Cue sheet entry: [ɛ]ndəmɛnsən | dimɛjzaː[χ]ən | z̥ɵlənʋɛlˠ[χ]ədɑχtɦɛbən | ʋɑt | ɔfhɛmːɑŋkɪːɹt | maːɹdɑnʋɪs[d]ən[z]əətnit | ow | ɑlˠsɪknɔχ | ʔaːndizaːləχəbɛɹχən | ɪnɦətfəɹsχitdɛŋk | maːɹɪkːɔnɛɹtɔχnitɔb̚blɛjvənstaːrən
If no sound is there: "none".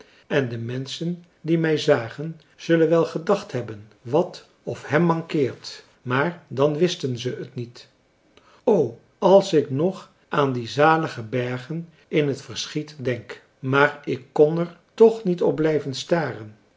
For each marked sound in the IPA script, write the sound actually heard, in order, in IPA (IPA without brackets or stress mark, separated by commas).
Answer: ɛ, χ, χ, t, z